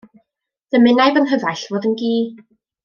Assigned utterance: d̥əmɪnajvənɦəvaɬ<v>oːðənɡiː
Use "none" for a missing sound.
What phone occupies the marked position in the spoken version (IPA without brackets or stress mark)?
v